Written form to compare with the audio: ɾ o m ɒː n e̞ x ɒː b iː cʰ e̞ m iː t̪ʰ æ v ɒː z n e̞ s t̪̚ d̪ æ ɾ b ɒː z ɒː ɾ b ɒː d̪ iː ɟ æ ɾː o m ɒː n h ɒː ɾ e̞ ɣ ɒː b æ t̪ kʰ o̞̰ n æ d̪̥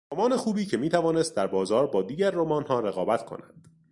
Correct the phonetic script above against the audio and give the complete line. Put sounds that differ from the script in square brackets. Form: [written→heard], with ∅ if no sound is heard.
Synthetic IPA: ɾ o m ɒː n e̞ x [ɒː→uː] b iː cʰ e̞ m iː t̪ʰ æ v ɒː [z→∅] n e̞ s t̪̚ d̪ æ ɾ b ɒː z ɒː ɾ b ɒː d̪ iː ɟ æ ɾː o m ɒː n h ɒː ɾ e̞ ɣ ɒː b æ t̪ kʰ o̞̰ n æ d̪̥